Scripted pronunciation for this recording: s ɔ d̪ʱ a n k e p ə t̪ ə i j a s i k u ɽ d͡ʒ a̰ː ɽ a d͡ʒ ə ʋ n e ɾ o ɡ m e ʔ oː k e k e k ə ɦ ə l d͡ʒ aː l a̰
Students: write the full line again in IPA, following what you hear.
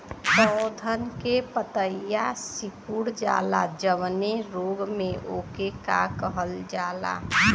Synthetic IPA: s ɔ d̪ʱ ə n k e p ə t̪ ə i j a s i k u ɽ d͡ʒ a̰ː l a d͡ʒ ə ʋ n e ɾ o ɡ m e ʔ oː k e k a k ə ɦ ə l d͡ʒ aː l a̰